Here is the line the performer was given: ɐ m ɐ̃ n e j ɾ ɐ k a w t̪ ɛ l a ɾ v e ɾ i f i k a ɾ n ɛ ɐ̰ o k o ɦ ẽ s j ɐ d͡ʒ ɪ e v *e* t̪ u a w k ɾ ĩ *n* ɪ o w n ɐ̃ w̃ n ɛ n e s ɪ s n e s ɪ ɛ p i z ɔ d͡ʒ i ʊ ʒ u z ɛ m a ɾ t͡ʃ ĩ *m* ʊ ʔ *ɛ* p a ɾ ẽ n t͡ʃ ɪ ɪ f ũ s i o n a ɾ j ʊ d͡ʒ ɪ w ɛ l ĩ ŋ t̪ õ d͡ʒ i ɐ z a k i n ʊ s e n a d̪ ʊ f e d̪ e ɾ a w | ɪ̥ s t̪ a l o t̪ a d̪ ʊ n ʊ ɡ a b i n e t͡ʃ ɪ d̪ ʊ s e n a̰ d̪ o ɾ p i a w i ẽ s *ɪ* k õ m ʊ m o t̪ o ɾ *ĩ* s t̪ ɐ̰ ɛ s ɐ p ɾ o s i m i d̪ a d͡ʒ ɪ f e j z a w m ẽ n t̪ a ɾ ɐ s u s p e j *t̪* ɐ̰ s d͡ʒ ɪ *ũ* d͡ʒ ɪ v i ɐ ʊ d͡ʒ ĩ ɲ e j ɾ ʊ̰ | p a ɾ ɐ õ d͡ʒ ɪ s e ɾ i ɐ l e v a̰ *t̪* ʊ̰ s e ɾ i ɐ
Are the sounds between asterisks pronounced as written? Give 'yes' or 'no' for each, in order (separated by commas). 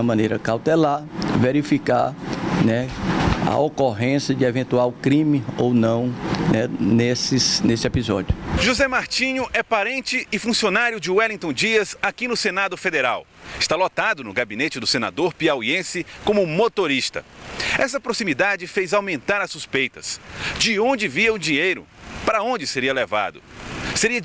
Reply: no, no, no, yes, yes, no, yes, no, no